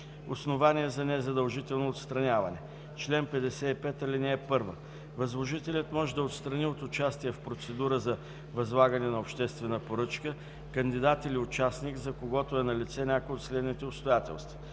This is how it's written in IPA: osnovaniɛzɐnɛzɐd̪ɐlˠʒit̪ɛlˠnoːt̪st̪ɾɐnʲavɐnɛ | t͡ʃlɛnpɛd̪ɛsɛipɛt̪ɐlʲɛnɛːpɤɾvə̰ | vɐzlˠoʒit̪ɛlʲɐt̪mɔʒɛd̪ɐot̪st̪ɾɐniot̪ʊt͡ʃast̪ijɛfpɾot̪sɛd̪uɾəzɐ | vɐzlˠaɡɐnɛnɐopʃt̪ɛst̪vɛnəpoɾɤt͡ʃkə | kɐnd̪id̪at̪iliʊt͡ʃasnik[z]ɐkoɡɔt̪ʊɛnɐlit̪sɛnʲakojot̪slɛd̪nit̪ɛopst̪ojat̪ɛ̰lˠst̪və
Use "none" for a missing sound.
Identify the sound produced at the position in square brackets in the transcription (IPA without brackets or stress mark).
z